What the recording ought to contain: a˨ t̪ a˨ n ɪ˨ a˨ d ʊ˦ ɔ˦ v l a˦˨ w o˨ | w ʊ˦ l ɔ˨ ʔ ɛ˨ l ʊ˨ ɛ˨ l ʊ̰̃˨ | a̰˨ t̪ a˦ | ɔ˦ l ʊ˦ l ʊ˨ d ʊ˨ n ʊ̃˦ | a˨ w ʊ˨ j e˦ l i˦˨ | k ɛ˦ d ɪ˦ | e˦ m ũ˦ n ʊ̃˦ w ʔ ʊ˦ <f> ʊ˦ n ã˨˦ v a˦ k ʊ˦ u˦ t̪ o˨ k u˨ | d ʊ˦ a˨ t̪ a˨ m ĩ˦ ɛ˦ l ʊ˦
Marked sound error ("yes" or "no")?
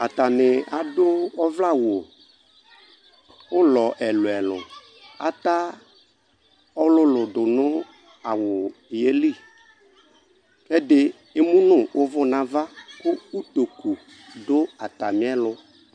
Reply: yes